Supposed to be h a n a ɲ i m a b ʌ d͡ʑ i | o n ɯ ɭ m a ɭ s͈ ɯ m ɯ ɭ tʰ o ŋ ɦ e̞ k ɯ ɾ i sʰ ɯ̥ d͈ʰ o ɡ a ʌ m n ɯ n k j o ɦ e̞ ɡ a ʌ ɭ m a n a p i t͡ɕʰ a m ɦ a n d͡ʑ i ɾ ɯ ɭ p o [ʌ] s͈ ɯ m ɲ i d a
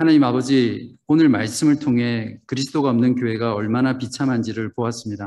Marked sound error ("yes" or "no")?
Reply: yes